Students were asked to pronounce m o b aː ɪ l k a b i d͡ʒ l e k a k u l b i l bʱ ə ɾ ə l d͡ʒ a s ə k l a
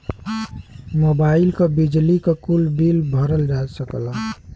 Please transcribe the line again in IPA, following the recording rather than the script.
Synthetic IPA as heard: m o b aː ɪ l k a b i d͡ʒ l i k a k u l b i l bʱ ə ɾ ə l d͡ʒ a s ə k l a